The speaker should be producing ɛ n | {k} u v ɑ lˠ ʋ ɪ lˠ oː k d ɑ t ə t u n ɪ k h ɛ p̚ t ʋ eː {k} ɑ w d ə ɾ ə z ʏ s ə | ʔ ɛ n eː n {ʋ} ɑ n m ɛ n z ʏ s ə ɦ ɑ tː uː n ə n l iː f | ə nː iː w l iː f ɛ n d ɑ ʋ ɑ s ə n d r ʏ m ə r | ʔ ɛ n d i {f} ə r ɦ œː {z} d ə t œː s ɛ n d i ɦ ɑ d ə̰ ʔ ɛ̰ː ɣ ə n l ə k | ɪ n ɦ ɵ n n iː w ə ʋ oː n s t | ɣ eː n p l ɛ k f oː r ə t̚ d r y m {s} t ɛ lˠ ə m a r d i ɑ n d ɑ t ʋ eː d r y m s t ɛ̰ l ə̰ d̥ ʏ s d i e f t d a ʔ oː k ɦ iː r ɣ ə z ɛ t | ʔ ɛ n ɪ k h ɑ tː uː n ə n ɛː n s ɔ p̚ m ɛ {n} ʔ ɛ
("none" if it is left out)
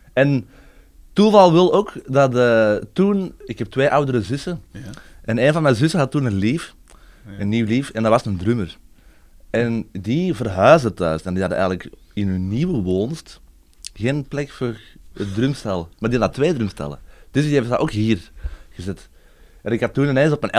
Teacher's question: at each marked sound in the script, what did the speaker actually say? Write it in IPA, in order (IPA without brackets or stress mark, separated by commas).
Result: t, ʔ, v, v, z, s, n